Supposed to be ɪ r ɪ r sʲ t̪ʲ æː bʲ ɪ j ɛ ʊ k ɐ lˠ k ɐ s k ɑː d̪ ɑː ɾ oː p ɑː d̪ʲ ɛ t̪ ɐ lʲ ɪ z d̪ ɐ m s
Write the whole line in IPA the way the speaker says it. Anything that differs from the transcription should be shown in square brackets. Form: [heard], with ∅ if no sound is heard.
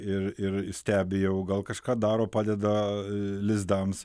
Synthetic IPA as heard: ɪ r ɪ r sʲ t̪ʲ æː bʲ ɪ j ɛ ʊ [ɡ] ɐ lˠ k ɐ [ʃ] k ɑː d̪ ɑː ɾ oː p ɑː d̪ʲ ɛ [d̪] ɐ lʲ ɪ z d̪ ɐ m s